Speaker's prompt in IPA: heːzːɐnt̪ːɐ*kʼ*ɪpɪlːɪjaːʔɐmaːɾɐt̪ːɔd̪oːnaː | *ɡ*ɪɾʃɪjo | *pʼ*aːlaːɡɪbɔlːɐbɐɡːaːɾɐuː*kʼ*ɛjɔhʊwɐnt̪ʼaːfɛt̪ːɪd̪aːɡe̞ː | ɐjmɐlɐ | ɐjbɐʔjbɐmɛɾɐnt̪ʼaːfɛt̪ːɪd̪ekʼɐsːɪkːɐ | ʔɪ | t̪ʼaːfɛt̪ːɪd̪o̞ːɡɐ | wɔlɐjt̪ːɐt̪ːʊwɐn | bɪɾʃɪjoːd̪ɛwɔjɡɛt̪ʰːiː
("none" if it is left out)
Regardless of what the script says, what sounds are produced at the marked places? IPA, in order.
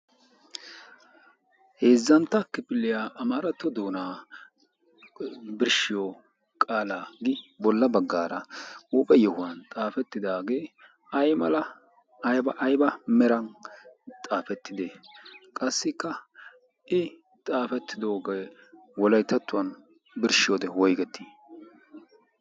k, b, kʼ, pʼ

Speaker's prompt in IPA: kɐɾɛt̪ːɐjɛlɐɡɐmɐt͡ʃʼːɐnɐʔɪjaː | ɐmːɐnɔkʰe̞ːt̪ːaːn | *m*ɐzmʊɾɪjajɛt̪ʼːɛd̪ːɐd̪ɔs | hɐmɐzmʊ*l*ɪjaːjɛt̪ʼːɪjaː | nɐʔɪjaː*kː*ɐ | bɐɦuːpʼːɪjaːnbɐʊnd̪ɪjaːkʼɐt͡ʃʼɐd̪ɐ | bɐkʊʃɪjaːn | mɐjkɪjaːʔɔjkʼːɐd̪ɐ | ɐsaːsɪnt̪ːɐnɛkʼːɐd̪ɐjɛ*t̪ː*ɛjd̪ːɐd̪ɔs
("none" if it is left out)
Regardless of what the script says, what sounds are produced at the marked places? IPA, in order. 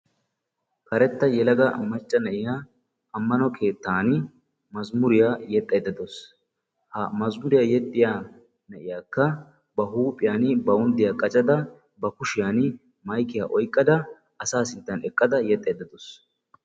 m, ɾ, kː, t̪ʼː

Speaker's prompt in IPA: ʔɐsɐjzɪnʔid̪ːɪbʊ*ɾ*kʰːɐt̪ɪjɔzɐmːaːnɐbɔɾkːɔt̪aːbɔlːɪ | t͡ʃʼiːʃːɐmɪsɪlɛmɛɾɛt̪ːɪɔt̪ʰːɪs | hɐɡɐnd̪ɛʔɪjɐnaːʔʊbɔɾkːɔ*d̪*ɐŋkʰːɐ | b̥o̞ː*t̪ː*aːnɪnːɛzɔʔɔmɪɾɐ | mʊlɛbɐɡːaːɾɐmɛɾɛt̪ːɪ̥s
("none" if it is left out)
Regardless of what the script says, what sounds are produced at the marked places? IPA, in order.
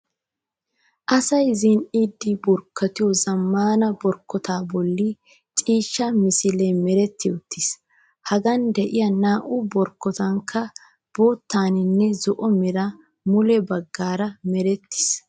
ɾ, t̪, t̪ː

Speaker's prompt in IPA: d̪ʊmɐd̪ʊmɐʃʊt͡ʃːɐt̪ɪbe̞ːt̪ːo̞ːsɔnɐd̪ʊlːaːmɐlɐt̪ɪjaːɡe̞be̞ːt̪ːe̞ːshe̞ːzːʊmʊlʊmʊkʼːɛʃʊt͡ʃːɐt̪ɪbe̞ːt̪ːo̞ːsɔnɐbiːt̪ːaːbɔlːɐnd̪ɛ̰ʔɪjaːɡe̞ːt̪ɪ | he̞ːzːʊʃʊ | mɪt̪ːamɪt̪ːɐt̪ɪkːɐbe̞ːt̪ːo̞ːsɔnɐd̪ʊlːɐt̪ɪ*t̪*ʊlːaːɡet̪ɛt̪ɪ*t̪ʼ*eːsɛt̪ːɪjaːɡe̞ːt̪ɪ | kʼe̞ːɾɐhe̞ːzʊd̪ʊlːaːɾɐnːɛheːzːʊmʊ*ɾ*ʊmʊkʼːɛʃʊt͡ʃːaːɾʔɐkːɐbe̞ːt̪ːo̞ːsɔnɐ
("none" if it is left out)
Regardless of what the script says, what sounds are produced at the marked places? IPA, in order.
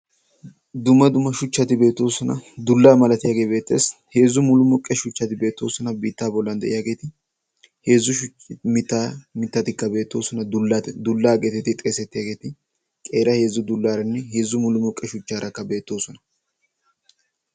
d̪, t̪ʼ, l

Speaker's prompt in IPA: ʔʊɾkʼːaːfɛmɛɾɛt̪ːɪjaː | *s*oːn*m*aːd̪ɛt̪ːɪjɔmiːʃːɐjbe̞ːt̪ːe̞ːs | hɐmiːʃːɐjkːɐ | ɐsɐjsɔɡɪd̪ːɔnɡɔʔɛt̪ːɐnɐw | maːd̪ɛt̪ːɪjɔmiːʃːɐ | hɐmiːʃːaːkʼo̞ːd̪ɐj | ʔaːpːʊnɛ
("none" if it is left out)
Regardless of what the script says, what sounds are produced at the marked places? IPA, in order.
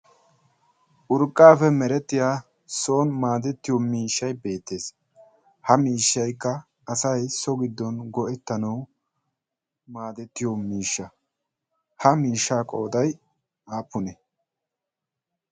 s, m

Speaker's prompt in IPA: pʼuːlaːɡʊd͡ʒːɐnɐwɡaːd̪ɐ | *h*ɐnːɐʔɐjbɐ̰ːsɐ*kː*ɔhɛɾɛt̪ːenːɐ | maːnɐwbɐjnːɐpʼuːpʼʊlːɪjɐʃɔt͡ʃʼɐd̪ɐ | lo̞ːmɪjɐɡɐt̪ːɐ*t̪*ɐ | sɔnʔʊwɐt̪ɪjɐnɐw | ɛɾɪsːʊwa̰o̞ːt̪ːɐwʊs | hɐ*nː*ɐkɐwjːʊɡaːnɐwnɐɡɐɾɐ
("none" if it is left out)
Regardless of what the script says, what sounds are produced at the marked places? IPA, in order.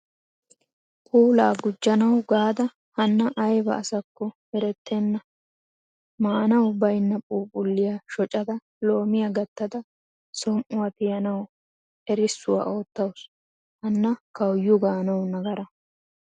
h, kː, d̪, nː

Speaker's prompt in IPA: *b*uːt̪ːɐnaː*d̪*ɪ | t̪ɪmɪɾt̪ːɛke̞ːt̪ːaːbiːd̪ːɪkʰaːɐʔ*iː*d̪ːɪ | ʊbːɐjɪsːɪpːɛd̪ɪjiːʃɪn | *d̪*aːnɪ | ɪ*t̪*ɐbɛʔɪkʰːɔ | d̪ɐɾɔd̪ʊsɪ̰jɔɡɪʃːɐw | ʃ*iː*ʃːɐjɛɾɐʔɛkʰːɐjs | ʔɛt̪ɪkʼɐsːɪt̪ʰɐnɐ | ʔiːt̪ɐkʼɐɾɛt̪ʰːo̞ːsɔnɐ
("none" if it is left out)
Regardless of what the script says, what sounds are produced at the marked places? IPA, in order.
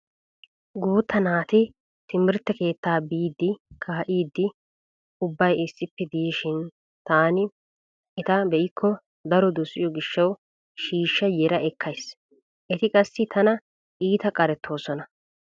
ɡ, t̪, iː, t̪, t̪, iː

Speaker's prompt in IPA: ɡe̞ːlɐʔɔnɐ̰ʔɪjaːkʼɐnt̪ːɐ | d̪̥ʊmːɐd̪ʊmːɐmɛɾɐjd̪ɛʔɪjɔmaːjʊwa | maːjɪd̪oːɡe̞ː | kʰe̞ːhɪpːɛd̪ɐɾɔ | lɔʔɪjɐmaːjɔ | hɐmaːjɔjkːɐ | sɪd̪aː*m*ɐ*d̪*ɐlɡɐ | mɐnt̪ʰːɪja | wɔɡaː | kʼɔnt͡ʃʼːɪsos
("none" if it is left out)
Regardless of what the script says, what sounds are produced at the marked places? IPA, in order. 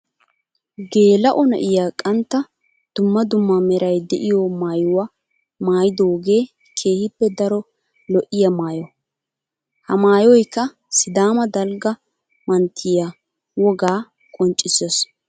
m, d̪

